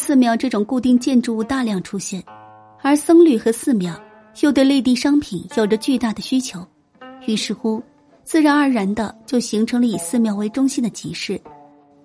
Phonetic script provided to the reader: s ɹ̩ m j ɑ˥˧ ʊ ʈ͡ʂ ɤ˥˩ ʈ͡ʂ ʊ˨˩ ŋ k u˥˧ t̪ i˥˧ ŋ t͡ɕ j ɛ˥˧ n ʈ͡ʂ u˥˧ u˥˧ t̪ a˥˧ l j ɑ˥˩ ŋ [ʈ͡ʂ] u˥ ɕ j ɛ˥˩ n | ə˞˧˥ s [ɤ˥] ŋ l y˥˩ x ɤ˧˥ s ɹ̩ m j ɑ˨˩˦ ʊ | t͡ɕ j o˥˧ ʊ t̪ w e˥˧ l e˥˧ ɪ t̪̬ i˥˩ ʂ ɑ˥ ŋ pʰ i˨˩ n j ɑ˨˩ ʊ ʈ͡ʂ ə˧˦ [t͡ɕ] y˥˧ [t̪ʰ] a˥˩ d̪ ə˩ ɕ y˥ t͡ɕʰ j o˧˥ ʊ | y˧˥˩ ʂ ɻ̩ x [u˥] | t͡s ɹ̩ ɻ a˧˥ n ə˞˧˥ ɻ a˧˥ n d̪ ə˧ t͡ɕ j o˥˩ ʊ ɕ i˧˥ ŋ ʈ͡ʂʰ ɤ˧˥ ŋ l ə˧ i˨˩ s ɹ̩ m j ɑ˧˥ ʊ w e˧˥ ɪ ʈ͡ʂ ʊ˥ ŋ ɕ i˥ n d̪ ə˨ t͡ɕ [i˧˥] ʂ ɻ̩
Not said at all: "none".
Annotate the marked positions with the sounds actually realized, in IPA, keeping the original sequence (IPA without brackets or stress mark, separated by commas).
ʈ͡ʂʰ, ɤ˥, t͡ɕ, t̪, u˥, i˧˥